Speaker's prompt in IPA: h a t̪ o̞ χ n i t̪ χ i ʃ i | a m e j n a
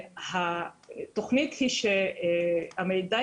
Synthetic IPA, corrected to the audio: h a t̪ o̞ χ n i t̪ h i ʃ e | a m e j d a